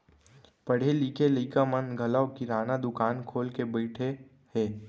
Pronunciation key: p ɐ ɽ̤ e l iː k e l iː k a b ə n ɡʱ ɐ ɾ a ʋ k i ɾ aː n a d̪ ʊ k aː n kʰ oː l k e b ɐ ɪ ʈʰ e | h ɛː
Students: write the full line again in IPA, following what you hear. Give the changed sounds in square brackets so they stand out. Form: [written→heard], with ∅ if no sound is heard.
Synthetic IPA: p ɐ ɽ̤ e l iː k e l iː k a [b→m] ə n ɡʱ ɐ [ɾ→l] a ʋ k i ɾ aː n a d̪ ʊ k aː n kʰ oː l k e b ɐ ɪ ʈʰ e | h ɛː